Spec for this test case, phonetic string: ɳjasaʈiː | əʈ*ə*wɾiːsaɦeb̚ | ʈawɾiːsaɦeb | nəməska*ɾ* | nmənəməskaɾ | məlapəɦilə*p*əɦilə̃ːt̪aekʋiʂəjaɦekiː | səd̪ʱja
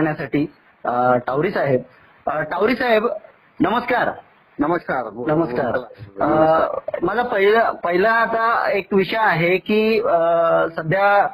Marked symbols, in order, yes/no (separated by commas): no, yes, yes